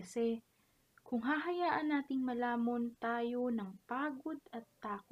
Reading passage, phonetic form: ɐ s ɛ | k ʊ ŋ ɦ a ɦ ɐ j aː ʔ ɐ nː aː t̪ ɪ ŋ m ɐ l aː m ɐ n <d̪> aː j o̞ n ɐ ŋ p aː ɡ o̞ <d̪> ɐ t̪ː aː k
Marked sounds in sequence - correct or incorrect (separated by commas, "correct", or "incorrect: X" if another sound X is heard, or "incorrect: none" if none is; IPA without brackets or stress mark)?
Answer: incorrect: t̪, correct